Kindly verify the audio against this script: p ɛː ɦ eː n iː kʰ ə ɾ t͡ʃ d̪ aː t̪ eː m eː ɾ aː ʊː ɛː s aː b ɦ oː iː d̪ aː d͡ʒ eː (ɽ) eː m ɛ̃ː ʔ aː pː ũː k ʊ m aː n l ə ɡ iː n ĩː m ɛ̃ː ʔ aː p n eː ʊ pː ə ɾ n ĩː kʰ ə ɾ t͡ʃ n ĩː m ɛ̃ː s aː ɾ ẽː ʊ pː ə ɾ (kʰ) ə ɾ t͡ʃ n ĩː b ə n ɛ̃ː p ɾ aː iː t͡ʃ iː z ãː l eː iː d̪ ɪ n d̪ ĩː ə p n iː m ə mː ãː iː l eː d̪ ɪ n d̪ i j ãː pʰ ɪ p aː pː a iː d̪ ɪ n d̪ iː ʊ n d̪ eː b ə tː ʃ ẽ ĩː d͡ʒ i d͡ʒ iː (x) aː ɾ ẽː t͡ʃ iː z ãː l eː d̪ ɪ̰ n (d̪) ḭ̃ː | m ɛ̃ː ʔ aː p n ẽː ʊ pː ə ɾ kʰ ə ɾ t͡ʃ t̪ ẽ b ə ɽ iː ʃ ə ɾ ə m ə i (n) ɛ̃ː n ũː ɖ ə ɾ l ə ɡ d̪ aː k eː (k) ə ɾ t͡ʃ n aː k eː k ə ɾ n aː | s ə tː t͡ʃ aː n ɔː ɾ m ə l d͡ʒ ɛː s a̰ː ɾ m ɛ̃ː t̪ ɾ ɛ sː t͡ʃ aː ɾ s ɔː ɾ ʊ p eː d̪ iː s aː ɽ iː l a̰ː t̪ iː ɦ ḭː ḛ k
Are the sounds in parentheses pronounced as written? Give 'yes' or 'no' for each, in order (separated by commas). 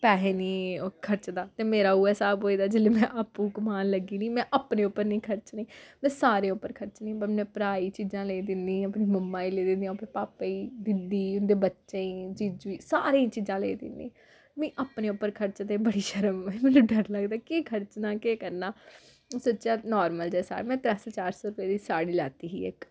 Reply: no, yes, no, yes, no, no